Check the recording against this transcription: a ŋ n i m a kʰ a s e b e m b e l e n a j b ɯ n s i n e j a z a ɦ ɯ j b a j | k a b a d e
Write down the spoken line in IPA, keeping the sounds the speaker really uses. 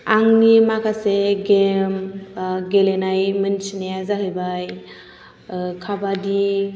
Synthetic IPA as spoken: a ŋ n i m a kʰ a s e ɡ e m ɡ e l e n a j m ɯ n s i n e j a z a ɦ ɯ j b a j | kʰ a b a d i